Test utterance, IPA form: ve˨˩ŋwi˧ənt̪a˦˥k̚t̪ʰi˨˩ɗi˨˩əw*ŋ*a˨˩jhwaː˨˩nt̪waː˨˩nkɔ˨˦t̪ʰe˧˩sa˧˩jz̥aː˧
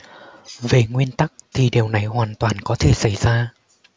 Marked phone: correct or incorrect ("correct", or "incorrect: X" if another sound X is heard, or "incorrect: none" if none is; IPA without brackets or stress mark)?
incorrect: n